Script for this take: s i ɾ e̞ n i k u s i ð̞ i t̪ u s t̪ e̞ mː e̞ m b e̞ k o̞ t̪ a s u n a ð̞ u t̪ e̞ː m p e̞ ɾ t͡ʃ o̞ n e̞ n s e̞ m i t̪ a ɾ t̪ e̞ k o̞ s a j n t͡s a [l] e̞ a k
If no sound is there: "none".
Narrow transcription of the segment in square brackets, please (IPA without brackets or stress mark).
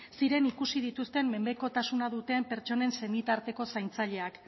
ʎ